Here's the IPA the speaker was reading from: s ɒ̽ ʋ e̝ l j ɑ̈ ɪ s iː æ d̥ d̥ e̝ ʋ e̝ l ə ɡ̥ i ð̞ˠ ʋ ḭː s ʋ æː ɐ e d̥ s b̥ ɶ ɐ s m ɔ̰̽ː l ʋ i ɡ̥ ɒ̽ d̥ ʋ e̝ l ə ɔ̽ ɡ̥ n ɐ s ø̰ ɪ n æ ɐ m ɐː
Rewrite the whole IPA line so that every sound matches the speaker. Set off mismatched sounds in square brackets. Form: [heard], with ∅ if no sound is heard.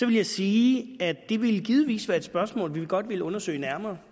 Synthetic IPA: s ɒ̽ ʋ e̝ l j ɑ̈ ɪ s iː æ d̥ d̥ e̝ ʋ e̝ l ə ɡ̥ i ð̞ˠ ʋ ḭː s ʋ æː ɐ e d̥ s b̥ ɶ ɐ s m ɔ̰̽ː l ʋ i ɡ̥ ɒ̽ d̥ ʋ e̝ l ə ɔ̽ [∅] n ɐ s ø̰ ɪ n æ ɐ m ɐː